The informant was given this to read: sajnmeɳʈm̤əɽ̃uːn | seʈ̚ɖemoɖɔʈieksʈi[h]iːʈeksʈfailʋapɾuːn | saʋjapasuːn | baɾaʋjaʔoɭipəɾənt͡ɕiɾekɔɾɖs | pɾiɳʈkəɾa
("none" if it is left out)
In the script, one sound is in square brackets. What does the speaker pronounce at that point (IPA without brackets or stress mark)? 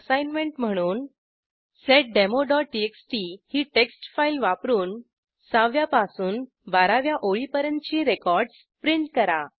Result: h